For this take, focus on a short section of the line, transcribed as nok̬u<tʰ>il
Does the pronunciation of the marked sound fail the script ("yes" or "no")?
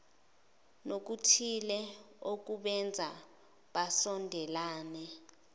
no